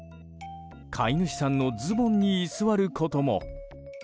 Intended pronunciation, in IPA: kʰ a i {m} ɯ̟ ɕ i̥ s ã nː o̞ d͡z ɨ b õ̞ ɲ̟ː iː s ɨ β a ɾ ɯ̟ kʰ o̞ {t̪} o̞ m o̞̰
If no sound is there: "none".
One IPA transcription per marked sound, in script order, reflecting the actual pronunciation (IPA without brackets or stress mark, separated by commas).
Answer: n, t̪